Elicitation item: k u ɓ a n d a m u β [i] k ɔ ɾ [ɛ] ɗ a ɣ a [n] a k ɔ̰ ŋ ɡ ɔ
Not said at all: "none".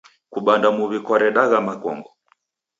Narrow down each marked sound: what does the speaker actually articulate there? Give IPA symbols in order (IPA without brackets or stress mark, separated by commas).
i, ɛ, m